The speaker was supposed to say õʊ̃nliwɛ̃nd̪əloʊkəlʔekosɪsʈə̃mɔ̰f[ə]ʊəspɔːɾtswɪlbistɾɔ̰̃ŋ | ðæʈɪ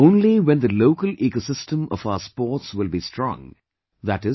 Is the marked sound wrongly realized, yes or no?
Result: yes